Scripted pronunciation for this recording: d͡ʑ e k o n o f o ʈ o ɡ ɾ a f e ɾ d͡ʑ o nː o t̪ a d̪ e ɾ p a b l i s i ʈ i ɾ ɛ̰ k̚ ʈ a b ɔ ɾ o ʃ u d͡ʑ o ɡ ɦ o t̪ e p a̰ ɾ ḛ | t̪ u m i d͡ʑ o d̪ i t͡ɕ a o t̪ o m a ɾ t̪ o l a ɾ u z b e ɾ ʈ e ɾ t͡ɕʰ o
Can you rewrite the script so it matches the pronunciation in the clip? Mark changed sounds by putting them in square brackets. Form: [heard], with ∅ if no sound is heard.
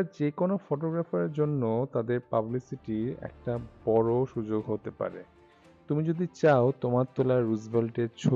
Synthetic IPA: d͡ʑ e k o n o f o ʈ o ɡ ɾ a f e ɾ d͡ʑ o nː o t̪ a d̪ e ɾ p a b l i s i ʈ i ɾ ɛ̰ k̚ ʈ a b ɔ ɾ o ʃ u d͡ʑ o ɡ ɦ o t̪ e p a̰ ɾ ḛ | t̪ u m i d͡ʑ o d̪ i t͡ɕ a o t̪ o m a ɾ t̪ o l a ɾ u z b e [l] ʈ e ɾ t͡ɕʰ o